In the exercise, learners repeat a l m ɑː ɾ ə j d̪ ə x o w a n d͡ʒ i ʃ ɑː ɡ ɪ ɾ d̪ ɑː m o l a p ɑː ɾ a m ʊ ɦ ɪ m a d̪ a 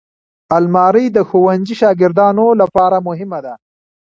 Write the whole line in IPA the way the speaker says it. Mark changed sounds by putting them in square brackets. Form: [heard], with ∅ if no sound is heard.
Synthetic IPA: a l m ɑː ɾ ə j d̪ ə x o w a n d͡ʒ i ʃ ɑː ɡ ɪ ɾ d̪ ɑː [n] o l a p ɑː ɾ a m ʊ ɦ ɪ m a d̪ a

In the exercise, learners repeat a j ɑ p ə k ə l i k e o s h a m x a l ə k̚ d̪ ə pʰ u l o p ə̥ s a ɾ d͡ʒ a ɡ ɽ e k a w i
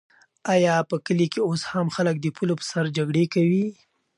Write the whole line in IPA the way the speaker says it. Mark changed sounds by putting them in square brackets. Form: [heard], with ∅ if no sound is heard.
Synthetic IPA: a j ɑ p ə k ə l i k e o s h a m x a l ə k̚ d̪ ə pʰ u l o p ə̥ s a ɾ d͡ʒ a ɡ ɽ e k a w i

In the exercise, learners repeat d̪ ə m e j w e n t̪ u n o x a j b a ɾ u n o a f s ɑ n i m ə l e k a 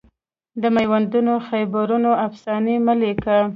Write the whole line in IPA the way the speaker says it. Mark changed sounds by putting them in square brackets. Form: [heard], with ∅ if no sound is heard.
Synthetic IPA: d̪ ə m [a] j w [a] n [d̪] u n o x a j b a ɾ u n o a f s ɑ n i m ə l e k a

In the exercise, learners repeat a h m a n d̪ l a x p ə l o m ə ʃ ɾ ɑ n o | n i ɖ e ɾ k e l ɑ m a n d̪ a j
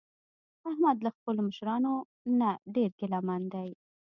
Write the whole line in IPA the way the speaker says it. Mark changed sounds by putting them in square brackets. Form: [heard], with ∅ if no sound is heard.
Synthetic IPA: a h m a [∅] d̪ l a x p ə l o m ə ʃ ɾ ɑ n o | n [a] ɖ e ɾ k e l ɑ m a n d̪ a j

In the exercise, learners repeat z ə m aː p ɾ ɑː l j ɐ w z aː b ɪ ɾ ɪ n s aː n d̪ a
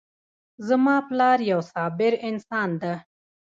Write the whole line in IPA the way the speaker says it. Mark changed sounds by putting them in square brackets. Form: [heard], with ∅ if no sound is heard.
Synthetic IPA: z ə m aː p [l] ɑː [ɾ] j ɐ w [s] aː b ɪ ɾ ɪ n s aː n d̪ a

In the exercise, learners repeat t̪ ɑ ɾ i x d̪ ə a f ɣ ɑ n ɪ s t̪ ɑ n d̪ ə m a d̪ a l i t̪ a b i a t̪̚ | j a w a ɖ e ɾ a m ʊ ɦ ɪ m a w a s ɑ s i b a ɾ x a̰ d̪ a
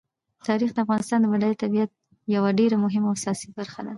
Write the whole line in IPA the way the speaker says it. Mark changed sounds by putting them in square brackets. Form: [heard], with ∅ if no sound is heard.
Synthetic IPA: t̪ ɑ ɾ i x d̪ ə a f ɣ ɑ n ɪ s t̪ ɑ n d̪ ə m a d̪ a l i t̪ a b i a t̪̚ | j a w a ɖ e ɾ a m ʊ ɦ ɪ m a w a s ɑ s i b a ɾ x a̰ d̪ a

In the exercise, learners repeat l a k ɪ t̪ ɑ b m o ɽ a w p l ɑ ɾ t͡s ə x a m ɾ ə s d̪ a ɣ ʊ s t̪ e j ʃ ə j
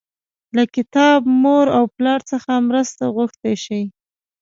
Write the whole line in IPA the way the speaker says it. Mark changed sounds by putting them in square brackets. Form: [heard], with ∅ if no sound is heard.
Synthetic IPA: l a k ɪ t̪ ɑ b m o [ɾ] a w p l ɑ ɾ t͡s ə x a m ɾ ə s [t̪] a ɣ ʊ [x] t̪ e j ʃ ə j

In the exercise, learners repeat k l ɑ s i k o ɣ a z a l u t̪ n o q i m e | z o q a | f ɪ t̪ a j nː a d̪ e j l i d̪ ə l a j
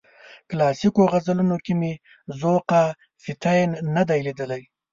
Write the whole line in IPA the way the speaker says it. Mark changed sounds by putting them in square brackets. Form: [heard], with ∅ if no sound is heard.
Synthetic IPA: k l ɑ s i k o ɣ a z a l u [∅] n o [k] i m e | z o q a | f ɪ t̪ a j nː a d̪ [a] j l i d̪ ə l a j

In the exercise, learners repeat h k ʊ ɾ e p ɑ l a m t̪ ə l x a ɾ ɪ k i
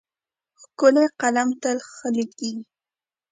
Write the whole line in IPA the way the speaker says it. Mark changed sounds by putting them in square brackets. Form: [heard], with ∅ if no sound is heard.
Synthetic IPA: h k ʊ [l] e [q] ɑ l a m t̪ [a] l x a [l] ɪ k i

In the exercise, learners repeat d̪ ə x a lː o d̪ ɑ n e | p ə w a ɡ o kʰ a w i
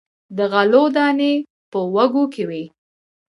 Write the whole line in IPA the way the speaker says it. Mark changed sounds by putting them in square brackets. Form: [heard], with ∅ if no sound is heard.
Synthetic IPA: d̪ ə [ɣ] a [l] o d̪ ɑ n e | p ə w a ɡ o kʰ [e] w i

